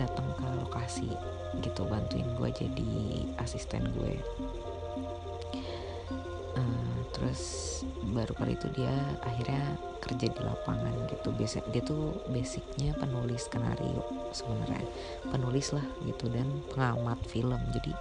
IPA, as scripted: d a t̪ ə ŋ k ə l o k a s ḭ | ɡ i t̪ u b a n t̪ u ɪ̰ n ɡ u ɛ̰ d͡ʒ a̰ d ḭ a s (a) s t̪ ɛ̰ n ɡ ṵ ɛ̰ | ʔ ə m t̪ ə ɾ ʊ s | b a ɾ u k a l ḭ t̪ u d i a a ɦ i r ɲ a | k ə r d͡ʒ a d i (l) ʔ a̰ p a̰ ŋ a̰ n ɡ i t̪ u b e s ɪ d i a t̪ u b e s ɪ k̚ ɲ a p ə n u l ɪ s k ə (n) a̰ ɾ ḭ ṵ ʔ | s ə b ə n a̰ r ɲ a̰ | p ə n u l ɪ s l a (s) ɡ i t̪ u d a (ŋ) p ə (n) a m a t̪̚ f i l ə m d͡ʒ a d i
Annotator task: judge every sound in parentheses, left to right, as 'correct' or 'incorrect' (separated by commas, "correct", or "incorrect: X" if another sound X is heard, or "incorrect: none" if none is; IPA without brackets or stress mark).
incorrect: i, correct, correct, incorrect: h, incorrect: n, incorrect: ŋ